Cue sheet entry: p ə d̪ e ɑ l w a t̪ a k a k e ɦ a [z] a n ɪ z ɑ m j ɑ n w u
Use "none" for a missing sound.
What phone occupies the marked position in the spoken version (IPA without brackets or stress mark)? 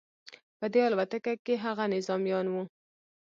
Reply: ɣ